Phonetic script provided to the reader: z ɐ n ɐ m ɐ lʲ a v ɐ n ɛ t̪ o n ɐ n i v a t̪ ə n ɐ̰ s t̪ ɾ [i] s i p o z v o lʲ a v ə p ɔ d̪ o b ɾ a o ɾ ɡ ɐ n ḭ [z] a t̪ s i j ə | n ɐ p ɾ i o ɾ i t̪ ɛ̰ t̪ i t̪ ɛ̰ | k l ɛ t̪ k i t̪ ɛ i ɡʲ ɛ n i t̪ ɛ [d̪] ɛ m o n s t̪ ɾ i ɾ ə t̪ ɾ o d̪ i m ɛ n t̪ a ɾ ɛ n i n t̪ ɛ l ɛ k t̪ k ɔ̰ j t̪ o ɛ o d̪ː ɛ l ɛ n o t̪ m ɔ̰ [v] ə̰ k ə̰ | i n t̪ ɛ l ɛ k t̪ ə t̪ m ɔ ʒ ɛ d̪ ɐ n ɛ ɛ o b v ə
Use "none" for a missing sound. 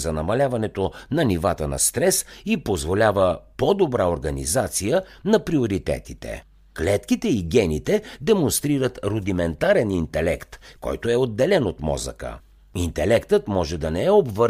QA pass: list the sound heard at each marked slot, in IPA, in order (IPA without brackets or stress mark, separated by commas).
ɛ, z, d̪, z